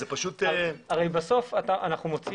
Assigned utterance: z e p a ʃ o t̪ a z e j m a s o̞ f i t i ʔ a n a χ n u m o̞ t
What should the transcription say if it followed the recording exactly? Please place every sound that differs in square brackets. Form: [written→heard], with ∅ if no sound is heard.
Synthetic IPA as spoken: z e p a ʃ [o→u] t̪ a [z→ʁ] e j [m→b] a s o̞ f [i→a] t [i→a] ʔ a n a χ n u m o̞ [t→t͡s]

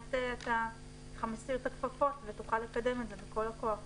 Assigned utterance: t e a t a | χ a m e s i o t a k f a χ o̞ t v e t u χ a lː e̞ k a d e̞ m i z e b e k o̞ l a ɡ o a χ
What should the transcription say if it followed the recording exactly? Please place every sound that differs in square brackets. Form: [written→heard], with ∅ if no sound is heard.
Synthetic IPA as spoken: t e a t a | χ a m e s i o t a k f a [χ→f] o̞ t v e t u χ a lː e̞ k a d e̞ m [i→e] z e b e k o̞ l a [ɡ→k] o a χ

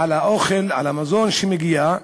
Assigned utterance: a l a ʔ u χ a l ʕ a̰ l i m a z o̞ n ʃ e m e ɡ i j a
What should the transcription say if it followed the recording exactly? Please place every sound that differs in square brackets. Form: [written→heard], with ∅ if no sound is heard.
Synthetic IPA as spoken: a l a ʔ [u→o] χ [a→e] l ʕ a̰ l [i→a] m a z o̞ n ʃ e m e ɡ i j a

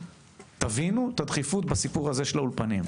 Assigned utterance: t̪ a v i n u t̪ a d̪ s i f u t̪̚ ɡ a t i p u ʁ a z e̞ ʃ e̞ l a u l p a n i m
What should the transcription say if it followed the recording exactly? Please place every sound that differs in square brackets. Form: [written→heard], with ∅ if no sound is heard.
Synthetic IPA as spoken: t̪ a v i n u t̪ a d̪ [s→χ] i f u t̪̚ [ɡ→b] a [t→s] i p u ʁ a z e̞ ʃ e̞ l a u l p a n i m

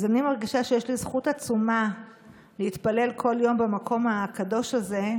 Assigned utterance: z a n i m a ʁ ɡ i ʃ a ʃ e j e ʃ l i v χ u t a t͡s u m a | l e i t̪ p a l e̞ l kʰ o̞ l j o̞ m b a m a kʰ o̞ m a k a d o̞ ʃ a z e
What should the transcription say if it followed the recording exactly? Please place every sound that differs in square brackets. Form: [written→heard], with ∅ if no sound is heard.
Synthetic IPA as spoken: z a n i m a ʁ ɡ i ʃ a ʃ e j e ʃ l i [v→z] χ u t a t͡s u m a | l e i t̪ p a l e̞ l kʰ o̞ l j o̞ m b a m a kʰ o̞ m a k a d o̞ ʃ a z e

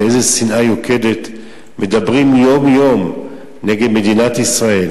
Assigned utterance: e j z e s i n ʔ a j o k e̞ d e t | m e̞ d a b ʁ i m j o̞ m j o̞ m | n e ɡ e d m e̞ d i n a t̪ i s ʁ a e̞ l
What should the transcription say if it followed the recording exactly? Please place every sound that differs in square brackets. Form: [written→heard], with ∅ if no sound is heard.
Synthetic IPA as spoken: e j z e s i n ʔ a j o k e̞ d e t | m e̞ d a b ʁ i m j o̞ m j o̞ m | n e ɡ e d m e̞ d i n a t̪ i s ʁ a e̞ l

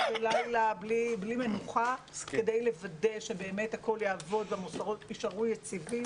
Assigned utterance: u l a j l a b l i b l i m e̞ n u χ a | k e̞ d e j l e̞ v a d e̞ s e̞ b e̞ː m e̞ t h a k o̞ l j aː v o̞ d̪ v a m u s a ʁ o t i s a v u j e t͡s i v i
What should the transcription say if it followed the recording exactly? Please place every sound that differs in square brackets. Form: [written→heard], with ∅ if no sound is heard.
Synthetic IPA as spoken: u l a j l a b l i b l i m e̞ n u χ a | k e̞ d e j l e̞ v a d e̞ [s→ʃ] e̞ b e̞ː m e̞ t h a k o̞ l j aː v o̞ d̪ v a m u s a ʁ o t i [s→ʃ] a [v→ʁ] u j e t͡s i v i

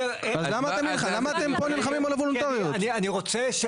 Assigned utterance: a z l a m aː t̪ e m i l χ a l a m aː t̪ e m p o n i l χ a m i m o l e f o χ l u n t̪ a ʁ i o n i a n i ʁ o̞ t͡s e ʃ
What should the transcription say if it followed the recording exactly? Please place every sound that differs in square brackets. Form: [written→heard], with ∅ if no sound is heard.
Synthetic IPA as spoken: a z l a m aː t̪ e m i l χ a l a m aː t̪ e m p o n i l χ a m i m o l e [f→v] o [χ→∅] l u n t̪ a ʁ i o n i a n i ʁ o̞ t͡s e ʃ

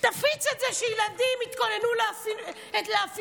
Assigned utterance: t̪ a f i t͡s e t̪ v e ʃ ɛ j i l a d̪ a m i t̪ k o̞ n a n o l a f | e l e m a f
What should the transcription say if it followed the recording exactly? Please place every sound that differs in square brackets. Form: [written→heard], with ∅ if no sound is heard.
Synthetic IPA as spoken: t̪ a f i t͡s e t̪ [v→z] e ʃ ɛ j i l a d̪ [a→i] m i t̪ k o̞ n [a→e] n [o→u] l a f | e l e [m→∅] a f

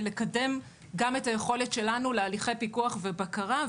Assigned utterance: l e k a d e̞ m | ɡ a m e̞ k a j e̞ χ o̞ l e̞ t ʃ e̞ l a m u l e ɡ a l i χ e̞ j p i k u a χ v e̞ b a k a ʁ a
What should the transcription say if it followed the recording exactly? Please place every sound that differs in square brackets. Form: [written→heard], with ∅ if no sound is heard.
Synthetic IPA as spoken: l e k a d e̞ m | ɡ a m e̞ [k→t] a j e̞ χ o̞ l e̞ t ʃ e̞ l a [m→n] u l e [ɡ→∅] a l i χ e̞ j p i k u a χ v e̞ b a k a ʁ a

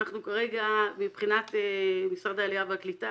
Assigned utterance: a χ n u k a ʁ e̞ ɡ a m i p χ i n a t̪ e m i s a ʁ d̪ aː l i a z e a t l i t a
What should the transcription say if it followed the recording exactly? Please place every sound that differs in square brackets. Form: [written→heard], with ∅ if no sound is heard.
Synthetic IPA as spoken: a χ n u k a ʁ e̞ ɡ a m i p χ i n a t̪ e m i s a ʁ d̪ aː l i a [z→v] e a [t→k] l i t a

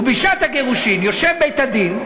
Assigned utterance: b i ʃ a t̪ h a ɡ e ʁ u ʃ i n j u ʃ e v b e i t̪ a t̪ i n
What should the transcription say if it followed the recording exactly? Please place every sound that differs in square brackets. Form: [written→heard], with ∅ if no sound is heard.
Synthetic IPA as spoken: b i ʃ a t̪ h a ɡ e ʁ u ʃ i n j [u→o] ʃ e v b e [i→j] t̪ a [t̪→d̪] i n

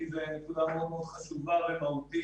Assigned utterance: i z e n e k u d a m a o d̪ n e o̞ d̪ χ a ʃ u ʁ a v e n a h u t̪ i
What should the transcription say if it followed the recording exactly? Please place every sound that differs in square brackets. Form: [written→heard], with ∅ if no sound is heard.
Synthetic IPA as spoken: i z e n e k u d a m [a→e] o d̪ [n→m] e o̞ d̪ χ a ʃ u [ʁ→v] a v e [n→m] a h u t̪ i

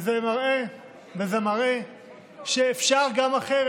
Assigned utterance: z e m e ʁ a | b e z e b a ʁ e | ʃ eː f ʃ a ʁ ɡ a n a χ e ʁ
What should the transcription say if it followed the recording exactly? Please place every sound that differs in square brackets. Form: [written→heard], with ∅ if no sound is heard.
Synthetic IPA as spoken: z e m [e→a] ʁ [a→e] | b e z e [b→m] a ʁ e | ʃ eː f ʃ a ʁ ɡ a [n→m] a χ e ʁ

